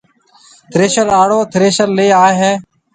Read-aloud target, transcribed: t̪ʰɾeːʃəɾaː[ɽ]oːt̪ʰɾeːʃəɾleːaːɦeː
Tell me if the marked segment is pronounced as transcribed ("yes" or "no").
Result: yes